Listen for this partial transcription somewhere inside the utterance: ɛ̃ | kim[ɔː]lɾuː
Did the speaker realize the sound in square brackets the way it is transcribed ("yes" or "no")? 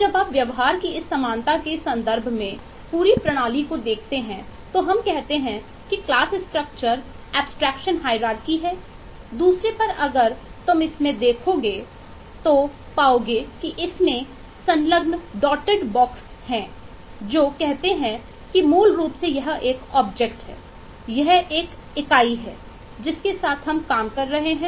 no